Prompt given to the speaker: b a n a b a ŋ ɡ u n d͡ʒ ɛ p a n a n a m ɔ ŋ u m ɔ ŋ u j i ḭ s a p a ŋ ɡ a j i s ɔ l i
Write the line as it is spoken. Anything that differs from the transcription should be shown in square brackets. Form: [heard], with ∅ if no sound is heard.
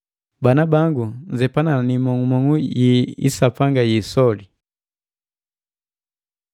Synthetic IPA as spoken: b a n a b a ŋ ɡ u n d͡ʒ ɛ p a n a n [i] m ɔ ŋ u m ɔ ŋ u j i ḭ s a p a ŋ ɡ a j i s ɔ l i